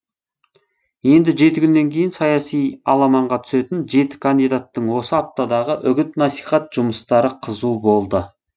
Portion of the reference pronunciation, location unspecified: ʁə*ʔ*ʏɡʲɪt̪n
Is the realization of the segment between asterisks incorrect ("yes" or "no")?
no